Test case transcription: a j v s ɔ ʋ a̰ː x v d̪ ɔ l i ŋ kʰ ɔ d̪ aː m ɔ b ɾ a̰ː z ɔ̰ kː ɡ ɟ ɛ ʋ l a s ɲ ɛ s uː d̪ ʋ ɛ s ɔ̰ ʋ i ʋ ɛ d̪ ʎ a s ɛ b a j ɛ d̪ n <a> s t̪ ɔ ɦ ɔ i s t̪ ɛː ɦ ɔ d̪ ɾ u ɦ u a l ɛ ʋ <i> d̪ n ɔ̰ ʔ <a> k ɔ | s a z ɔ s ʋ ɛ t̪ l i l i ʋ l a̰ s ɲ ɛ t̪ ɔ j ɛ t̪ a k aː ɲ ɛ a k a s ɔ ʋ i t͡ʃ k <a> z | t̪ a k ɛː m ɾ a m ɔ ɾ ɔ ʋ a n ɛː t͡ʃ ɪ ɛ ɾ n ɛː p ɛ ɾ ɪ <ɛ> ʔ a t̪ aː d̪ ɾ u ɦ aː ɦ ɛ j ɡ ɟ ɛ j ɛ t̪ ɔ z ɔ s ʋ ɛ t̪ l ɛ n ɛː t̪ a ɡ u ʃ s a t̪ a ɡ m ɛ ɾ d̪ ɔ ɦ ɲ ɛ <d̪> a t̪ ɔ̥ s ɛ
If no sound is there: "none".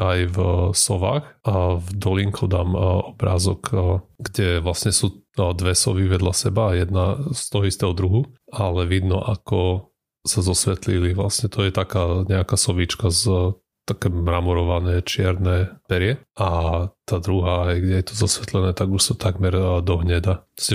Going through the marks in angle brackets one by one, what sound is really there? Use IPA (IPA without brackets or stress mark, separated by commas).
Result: a, i, a, a, ɛ, d̪